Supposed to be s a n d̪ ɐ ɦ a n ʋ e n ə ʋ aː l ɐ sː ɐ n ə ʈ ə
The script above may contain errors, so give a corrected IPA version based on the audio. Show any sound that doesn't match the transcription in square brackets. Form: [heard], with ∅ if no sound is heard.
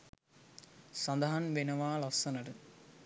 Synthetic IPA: s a n d̪ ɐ ɦ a n ʋ e n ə ʋ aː l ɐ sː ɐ n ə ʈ ə